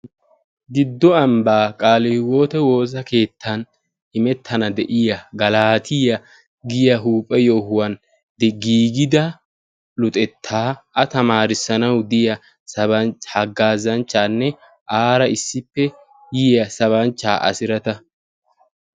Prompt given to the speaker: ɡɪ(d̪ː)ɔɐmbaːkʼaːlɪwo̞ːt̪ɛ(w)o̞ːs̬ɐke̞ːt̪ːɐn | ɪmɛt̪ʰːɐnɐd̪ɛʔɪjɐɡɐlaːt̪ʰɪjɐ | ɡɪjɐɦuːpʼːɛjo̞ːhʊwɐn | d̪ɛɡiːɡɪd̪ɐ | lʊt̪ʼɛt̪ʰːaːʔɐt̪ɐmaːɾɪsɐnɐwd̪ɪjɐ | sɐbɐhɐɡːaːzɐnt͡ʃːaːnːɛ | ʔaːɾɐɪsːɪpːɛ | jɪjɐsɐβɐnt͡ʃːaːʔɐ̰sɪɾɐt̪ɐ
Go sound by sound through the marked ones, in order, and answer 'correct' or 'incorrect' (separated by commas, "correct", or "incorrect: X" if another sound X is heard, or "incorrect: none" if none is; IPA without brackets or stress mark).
correct, correct